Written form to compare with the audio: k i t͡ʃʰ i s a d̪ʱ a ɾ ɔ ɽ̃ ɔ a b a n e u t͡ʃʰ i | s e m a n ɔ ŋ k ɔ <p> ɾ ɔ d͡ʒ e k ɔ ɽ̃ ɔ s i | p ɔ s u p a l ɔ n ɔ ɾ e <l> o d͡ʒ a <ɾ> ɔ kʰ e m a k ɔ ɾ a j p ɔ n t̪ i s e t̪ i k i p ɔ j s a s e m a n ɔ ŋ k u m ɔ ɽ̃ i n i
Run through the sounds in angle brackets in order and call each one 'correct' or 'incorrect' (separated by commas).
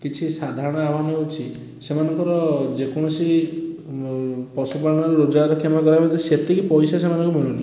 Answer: incorrect, incorrect, correct